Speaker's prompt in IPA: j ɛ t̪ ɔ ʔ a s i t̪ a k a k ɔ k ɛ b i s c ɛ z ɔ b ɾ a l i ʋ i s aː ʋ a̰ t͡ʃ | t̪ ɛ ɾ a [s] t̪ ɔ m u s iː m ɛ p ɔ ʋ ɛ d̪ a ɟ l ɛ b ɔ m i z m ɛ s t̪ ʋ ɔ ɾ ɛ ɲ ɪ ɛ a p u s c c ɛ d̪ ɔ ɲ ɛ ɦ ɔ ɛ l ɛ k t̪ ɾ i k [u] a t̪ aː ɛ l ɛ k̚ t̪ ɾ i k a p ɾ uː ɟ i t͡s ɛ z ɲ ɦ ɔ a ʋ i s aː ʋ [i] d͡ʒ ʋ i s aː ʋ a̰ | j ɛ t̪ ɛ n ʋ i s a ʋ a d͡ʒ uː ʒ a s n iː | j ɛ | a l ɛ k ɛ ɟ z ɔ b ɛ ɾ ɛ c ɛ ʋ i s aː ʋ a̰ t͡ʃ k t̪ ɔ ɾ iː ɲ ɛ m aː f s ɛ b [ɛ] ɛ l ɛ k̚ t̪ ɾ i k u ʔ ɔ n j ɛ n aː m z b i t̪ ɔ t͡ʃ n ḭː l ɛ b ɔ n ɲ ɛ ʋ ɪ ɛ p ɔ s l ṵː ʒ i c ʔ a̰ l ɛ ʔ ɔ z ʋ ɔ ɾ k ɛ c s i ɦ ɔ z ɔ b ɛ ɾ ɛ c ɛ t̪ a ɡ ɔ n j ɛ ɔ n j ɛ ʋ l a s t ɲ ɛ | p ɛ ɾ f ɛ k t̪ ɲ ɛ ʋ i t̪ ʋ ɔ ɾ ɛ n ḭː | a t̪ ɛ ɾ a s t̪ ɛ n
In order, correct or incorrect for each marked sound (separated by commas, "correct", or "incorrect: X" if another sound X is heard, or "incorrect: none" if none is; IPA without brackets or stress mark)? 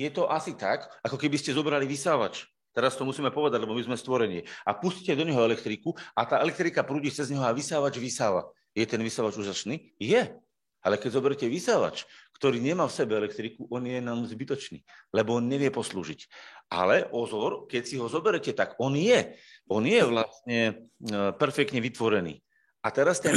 correct, correct, incorrect: a, correct